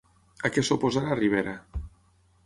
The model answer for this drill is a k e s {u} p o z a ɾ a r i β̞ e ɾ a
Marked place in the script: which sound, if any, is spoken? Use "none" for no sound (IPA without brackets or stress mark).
o